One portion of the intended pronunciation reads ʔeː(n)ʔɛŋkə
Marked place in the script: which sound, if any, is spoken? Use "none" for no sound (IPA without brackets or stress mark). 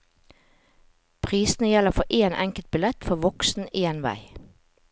n